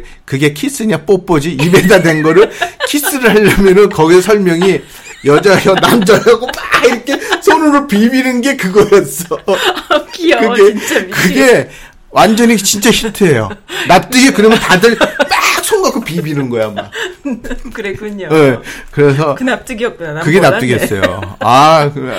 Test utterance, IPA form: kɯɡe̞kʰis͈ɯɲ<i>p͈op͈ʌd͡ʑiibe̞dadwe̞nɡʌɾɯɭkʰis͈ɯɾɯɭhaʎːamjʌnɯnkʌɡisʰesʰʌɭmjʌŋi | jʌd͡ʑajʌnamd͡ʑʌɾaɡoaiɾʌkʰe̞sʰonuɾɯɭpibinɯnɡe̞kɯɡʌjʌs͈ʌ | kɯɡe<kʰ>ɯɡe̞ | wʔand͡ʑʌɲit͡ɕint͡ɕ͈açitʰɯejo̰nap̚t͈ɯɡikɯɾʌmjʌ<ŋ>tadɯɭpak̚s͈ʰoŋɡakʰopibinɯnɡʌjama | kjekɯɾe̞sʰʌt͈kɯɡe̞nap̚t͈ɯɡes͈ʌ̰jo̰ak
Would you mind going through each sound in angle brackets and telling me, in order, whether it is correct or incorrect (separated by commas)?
incorrect, incorrect, incorrect